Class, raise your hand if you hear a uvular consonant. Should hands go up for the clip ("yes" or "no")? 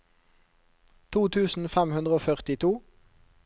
yes